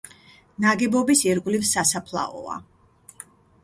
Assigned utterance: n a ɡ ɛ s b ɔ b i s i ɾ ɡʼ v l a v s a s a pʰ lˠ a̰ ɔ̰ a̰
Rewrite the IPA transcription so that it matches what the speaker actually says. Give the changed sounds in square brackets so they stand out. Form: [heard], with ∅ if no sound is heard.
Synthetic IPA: n a ɡ ɛ [∅] b ɔ b i s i ɾ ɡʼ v l [i] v s a s a pʰ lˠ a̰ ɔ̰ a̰